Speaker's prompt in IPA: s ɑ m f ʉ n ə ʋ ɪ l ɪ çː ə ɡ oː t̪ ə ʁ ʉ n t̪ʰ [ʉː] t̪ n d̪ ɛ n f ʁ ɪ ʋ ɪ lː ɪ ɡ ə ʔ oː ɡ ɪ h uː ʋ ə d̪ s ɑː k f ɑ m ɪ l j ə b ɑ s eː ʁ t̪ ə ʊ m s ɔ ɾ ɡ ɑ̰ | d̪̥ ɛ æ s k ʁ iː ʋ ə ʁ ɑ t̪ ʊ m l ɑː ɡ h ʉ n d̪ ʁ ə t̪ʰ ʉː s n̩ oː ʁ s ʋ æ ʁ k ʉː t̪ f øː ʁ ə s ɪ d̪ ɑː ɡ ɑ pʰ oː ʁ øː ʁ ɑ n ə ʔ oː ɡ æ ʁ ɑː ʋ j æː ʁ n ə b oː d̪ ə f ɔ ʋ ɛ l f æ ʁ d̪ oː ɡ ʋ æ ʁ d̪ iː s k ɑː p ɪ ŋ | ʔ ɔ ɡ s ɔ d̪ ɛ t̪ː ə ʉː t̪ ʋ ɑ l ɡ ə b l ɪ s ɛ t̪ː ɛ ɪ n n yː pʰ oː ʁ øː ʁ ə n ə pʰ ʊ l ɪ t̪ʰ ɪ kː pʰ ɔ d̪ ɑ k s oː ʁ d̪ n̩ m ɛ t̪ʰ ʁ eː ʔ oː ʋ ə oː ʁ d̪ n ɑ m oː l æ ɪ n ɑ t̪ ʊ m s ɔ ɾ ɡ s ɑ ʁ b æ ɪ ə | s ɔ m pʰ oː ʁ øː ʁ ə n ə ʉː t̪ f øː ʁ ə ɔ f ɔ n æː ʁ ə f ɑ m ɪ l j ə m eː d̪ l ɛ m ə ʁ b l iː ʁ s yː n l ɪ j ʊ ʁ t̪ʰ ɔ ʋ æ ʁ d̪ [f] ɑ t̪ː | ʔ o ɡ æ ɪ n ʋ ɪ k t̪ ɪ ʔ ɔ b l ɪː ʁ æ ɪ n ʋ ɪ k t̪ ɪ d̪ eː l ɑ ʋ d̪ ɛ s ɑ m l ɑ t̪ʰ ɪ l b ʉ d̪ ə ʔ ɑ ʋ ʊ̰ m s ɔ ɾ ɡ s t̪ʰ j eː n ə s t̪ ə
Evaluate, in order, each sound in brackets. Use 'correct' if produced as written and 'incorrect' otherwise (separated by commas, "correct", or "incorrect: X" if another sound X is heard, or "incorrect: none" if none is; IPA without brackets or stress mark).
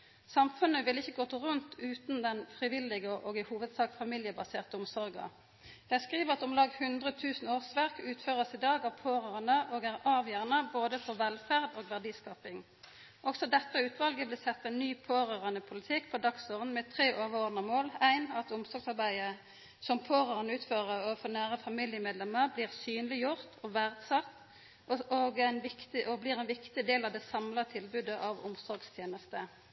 correct, incorrect: s